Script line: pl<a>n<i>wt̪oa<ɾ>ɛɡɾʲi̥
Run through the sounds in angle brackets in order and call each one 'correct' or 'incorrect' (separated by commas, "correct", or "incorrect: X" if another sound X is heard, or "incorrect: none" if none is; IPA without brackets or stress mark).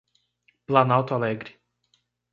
correct, incorrect: a, incorrect: l